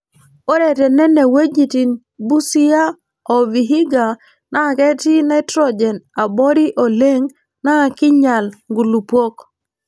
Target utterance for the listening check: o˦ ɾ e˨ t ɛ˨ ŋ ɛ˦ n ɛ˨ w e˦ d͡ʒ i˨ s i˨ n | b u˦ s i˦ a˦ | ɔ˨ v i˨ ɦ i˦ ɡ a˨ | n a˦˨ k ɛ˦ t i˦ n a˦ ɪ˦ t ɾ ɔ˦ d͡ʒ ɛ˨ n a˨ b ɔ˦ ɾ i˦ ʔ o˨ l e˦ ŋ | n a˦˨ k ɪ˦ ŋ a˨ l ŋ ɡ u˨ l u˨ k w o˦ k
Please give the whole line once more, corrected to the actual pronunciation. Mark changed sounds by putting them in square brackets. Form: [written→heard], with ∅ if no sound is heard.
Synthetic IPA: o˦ ɾ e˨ t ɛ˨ [ŋ→n] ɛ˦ n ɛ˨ w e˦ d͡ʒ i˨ [s→t] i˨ n | b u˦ s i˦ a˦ | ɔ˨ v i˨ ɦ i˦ ɡ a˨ | n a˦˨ k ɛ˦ t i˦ n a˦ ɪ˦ t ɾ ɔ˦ d͡ʒ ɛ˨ n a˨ b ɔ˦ ɾ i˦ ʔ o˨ l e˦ ŋ | n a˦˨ k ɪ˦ [ŋ→ɲ] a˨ l ŋ ɡ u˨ l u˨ [k→p] w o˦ k